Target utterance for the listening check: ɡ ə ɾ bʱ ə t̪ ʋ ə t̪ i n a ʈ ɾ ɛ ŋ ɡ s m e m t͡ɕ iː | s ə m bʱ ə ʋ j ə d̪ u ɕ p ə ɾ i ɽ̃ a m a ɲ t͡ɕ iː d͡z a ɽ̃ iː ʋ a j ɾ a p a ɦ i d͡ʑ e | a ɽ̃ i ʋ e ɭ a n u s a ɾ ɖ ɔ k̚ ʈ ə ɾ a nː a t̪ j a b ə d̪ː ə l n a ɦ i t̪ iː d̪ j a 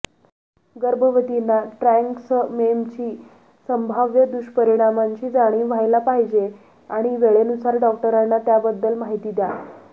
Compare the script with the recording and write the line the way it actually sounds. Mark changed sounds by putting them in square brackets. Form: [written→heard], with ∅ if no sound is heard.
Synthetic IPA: ɡ ə ɾ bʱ ə [t̪→∅] ʋ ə t̪ i n a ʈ ɾ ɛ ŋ [ɡ→k] s m e m t͡ɕ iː | s ə m bʱ [ə→a] ʋ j ə d̪ u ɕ p ə ɾ i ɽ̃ a m a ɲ t͡ɕ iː d͡z a ɽ̃ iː ʋ a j [ɾ→l] a p a ɦ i d͡ʑ e | a ɽ̃ i ʋ e ɭ [a→e] n u s a ɾ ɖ ɔ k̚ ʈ ə ɾ a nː a t̪ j a b ə d̪ː ə l [n→m] a ɦ i t̪ iː d̪ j a